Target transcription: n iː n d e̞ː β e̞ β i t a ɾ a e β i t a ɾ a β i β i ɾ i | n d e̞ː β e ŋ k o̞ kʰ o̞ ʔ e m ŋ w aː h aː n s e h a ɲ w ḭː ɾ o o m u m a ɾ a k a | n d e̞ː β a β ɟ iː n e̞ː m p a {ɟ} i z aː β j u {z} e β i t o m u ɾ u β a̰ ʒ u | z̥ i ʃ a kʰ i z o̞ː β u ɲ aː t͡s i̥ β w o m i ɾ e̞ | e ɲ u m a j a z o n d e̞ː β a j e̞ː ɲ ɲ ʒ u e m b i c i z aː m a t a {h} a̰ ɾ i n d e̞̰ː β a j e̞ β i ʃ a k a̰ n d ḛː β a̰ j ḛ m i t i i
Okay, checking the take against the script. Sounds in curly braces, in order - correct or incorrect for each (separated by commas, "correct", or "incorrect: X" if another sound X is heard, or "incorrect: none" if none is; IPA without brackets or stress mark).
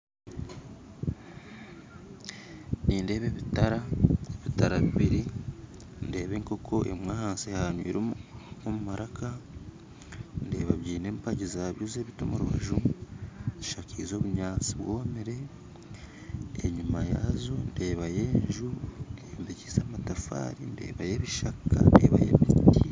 correct, correct, incorrect: f